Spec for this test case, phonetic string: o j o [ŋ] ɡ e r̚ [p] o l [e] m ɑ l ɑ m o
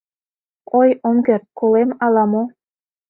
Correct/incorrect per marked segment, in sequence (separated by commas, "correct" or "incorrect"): incorrect, incorrect, correct